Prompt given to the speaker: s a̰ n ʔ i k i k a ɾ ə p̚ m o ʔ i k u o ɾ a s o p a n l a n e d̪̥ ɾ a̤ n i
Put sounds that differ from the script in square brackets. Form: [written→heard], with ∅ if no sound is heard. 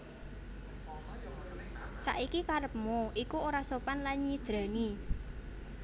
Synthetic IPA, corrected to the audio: s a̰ [n→∅] ʔ i k i k a ɾ ə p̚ m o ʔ i k u o ɾ a s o p a n l a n [e→i] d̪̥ ɾ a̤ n i